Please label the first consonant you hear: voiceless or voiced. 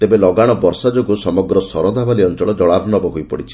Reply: voiceless